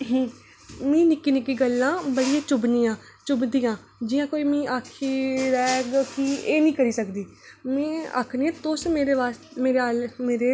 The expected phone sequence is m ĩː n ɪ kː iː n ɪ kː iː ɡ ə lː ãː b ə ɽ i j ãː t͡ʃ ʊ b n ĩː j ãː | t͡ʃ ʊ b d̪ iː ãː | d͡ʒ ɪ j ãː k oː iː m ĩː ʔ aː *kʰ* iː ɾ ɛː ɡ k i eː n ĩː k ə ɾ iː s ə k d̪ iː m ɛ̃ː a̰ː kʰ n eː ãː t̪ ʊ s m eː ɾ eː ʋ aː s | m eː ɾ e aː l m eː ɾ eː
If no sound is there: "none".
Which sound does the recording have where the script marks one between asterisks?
kʰ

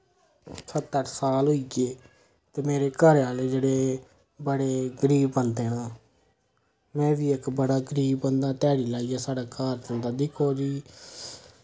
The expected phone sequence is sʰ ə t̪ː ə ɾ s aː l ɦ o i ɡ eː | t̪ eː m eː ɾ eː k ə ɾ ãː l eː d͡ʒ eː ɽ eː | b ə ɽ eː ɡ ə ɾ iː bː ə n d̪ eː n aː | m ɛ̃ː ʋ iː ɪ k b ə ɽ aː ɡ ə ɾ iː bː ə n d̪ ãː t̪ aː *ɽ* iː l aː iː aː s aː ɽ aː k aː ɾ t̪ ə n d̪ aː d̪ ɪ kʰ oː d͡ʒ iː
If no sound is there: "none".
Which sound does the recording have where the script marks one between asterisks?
ɽ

